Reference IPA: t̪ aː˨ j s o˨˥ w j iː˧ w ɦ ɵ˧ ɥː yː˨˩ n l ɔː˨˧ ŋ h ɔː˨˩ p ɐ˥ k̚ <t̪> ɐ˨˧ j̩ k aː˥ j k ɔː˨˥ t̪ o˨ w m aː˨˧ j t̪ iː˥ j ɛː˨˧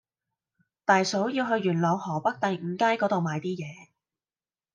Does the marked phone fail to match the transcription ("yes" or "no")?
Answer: no